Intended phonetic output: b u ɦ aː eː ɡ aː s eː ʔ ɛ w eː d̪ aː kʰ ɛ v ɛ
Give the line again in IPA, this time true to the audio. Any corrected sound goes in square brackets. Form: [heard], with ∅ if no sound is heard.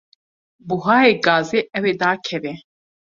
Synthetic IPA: b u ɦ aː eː ɡ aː [z] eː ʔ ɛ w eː d̪ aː kʰ ɛ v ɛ